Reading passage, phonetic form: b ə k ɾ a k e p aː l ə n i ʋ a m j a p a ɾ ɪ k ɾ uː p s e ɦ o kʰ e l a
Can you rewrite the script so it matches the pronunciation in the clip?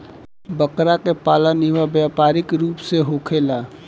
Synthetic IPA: b ə k ɾ a k e p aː l ə n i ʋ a b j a p a ɾ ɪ k ɾ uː p s e ɦ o kʰ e l a